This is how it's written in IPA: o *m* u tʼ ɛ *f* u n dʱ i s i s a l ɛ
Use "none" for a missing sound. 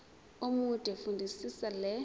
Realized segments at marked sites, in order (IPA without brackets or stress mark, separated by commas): m, f